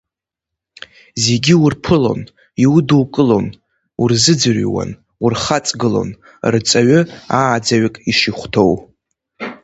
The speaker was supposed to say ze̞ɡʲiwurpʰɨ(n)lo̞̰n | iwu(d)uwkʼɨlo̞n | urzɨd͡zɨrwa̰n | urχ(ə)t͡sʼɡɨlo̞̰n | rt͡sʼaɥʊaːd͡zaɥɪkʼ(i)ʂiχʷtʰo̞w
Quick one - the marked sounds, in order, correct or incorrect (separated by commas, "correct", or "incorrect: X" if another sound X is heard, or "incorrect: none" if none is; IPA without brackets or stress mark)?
incorrect: none, correct, incorrect: a, correct